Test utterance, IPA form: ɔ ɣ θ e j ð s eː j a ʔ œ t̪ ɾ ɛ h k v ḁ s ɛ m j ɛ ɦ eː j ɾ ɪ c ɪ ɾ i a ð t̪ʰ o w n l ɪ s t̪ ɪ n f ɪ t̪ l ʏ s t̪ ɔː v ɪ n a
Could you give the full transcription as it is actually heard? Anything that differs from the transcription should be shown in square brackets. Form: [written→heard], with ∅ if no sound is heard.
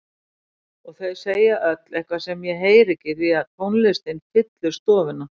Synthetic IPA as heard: ɔ ɣ θ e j ð s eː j a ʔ œ t̪ [ɾ→l] ɛ h k v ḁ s ɛ m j ɛ ɦ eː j ɾ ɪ c ɪ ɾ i a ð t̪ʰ o w n l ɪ s t̪ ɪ n f ɪ t̪ l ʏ s t̪ ɔː v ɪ n a